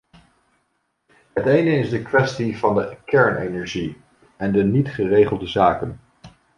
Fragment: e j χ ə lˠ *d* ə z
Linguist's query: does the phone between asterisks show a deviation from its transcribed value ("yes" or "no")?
no